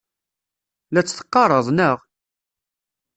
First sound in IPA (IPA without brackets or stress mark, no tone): l